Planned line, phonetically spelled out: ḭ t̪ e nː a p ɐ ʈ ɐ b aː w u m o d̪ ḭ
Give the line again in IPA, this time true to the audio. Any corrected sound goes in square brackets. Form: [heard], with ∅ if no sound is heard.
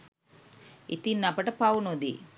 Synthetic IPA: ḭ t̪ [i] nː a p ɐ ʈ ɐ [p] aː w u [n] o d̪ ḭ